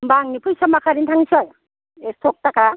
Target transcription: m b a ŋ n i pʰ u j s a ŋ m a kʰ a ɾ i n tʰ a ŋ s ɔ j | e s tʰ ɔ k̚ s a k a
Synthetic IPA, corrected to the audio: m b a ŋ n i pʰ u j s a m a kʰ a ɾ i n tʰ a ŋ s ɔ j | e s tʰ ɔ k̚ t a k a